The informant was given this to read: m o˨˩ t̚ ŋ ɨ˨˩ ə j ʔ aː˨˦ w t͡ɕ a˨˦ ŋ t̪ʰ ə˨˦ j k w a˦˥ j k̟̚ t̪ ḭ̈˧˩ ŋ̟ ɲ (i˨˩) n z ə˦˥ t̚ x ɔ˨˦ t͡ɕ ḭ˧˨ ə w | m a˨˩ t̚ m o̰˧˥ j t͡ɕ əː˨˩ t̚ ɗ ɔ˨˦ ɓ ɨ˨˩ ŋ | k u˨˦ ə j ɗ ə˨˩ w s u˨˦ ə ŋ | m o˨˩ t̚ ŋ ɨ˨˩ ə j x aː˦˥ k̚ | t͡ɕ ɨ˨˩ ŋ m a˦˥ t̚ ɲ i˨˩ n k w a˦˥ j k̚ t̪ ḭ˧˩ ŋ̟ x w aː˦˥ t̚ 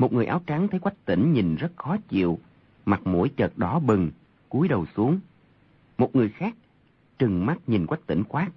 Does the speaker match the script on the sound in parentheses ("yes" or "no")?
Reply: yes